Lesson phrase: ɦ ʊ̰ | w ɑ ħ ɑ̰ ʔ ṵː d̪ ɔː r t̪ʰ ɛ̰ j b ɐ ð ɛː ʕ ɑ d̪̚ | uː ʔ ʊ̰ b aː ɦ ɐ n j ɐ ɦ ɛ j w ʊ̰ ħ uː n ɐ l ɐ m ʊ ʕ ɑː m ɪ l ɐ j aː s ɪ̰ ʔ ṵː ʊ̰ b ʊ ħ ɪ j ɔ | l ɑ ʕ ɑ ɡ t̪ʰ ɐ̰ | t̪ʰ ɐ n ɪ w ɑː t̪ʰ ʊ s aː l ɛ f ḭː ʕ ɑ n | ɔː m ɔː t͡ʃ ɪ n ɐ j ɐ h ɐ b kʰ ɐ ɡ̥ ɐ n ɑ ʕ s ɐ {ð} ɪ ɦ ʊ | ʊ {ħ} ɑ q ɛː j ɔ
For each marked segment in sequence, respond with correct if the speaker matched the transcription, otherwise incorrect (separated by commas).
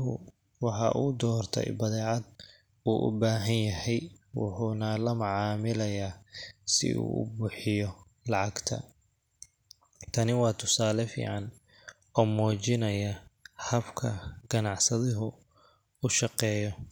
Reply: correct, incorrect